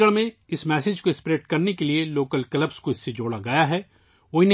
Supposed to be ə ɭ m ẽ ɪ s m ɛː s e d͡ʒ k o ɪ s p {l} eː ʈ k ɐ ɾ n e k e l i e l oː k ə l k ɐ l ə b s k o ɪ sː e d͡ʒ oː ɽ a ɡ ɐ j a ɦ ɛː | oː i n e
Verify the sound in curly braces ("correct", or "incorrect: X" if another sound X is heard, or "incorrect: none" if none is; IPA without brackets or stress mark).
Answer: incorrect: ɾ